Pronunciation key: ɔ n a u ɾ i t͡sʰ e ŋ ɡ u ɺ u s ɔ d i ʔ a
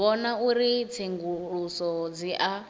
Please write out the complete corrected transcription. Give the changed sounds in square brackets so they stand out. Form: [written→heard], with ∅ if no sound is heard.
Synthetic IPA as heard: ɔ n a u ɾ i t͡sʰ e ŋ ɡ u ɺ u s ɔ [d→d͡z] i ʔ a